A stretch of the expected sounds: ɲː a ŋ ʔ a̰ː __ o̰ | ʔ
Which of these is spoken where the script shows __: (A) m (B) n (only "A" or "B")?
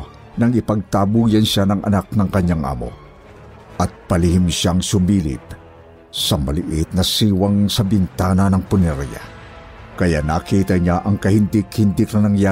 A